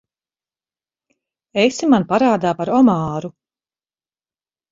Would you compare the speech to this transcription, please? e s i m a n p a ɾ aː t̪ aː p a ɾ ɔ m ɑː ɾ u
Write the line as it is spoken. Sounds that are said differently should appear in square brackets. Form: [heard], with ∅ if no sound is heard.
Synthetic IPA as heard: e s i m a n p a ɾ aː [d̪] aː p a ɾ ɔ m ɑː ɾ u